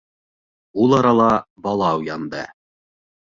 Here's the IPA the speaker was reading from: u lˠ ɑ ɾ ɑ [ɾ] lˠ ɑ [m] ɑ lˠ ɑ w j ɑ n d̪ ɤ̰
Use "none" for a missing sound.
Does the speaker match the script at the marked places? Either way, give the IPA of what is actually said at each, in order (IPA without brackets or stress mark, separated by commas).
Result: none, b